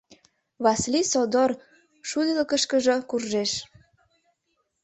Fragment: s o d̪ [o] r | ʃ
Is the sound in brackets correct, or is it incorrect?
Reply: correct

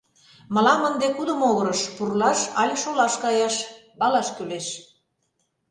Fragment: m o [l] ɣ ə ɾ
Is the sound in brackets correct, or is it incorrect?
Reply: incorrect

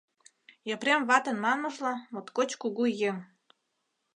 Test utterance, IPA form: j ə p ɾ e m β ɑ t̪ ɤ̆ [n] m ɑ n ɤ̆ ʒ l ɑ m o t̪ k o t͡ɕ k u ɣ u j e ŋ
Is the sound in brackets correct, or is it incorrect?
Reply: correct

